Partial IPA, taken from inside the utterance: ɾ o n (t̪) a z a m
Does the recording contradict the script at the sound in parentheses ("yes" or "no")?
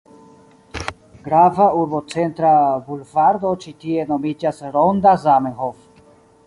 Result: yes